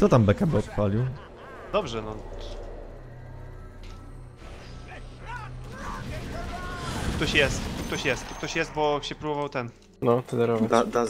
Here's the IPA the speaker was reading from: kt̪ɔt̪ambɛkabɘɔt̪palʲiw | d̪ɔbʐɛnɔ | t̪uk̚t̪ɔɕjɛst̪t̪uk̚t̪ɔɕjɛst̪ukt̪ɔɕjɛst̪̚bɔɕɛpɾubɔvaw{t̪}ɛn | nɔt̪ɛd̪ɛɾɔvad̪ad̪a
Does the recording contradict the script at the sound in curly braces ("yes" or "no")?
no